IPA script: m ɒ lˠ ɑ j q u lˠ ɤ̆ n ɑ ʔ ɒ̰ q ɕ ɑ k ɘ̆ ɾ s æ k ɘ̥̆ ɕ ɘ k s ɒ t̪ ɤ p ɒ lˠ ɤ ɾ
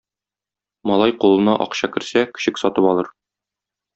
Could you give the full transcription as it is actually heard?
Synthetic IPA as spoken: m ɒ lˠ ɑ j q u lˠ ɤ̆ n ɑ ʔ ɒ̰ q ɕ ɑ k ɘ̆ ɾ s æ k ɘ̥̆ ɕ ɘ k s ɒ t̪ ɤ p ɒ lˠ ɤ ɾ